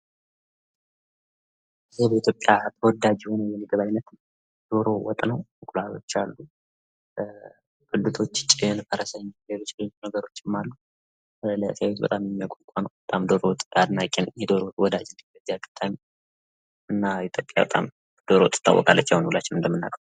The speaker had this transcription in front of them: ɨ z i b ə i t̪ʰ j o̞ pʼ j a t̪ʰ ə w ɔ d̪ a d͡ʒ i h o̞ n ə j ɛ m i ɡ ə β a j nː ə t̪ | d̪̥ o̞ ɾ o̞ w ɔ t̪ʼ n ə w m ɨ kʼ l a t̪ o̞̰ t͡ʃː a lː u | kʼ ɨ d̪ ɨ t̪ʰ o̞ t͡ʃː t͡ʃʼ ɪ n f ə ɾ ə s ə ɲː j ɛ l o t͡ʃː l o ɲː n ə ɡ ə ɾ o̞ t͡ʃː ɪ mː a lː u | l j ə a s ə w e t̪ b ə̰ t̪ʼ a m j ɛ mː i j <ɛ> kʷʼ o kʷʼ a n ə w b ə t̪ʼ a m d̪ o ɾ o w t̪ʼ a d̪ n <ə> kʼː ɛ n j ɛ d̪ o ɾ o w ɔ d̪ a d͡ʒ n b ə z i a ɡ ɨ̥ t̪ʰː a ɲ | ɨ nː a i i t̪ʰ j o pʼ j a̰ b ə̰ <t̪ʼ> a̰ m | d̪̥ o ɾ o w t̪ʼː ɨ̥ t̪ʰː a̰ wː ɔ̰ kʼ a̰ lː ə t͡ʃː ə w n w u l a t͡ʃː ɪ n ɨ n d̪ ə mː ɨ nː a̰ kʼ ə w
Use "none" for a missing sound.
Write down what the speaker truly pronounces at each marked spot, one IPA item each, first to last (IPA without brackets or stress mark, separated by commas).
a, a, t̪ʼ